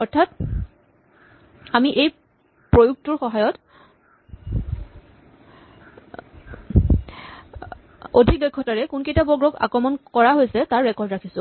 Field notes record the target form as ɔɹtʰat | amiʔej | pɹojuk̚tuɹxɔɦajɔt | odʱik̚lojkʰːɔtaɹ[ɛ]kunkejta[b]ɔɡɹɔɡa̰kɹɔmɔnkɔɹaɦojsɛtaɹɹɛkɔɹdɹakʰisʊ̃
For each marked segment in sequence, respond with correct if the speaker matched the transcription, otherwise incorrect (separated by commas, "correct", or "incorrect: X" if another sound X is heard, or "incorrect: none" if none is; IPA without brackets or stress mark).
correct, correct